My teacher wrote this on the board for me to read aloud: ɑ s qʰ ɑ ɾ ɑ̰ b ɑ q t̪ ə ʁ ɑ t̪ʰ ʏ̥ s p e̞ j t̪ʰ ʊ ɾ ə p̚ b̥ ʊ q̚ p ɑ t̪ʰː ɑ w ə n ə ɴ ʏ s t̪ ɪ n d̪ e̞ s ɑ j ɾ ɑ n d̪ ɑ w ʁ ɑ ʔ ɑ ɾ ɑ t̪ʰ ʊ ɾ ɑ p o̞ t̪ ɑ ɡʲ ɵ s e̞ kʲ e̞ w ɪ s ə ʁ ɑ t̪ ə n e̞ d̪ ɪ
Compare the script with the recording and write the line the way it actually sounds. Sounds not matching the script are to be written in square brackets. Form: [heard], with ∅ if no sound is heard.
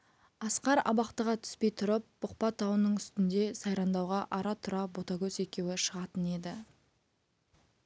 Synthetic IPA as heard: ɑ s [q] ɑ ɾ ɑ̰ b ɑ q t̪ ə ʁ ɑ t̪ʰ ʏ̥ s p e̞ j t̪ʰ ʊ ɾ ə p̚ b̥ ʊ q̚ p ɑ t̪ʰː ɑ w ə n ə ɴ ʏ s t̪ ɪ n d̪ e̞ s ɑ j ɾ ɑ n d̪ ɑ w ʁ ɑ ʔ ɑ ɾ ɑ t̪ʰ ʊ ɾ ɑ [b] o̞ t̪ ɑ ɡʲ ɵ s e̞ kʲ e̞ w ɪ [ʃ] ə ʁ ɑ t̪ ə n e̞ d̪ ɪ